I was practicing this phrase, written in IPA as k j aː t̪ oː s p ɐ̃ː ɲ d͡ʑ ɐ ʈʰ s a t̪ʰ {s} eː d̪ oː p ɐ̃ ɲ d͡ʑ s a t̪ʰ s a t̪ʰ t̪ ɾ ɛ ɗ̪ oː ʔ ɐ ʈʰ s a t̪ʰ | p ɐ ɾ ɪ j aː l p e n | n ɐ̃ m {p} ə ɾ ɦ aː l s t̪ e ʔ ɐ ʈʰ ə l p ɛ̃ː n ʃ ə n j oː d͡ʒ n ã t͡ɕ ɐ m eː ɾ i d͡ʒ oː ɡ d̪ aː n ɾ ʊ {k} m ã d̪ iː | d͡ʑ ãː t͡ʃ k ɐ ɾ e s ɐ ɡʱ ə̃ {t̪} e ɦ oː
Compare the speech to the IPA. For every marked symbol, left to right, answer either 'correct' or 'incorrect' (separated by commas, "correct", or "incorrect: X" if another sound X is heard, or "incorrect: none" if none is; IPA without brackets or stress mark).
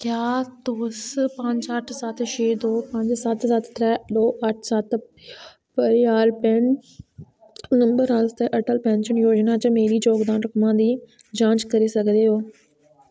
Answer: incorrect: ʃ, incorrect: b, correct, incorrect: d̪